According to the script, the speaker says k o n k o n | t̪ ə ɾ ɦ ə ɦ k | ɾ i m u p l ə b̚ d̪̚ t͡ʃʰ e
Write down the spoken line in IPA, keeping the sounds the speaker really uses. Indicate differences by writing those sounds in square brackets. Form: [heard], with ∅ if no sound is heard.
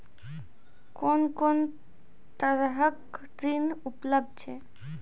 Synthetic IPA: k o n k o n | t̪ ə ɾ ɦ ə [∅] k | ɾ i [n] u p l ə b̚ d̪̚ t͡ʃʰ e